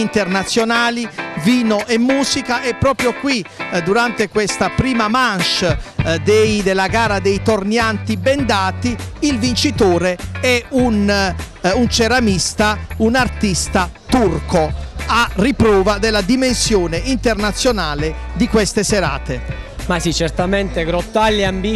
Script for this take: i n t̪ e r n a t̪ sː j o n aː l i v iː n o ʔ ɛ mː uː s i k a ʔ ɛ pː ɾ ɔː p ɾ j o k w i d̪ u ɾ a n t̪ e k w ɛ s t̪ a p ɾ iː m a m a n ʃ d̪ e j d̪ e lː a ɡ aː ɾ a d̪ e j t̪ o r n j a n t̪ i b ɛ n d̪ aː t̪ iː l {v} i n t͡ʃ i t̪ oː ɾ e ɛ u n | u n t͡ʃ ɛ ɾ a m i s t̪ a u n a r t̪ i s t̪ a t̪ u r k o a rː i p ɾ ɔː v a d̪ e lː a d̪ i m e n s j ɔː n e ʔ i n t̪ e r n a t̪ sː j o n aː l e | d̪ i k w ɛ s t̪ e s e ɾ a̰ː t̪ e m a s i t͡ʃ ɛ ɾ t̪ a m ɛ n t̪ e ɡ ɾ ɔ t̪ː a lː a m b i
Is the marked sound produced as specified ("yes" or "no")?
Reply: yes